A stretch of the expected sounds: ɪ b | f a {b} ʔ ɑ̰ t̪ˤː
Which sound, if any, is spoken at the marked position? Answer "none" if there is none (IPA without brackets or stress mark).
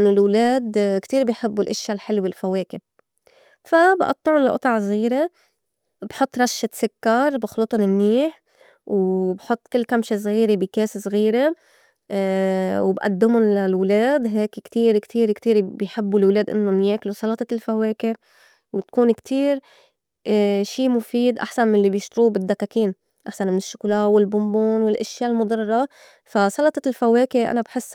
b